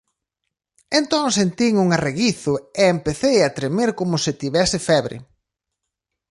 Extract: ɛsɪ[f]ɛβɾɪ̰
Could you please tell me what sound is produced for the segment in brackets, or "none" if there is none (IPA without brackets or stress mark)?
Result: f